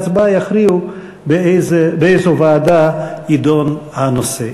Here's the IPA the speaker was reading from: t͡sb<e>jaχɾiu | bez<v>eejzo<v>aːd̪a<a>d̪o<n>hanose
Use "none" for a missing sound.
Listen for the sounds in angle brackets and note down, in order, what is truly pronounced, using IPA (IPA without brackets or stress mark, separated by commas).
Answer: a, b, v, i, n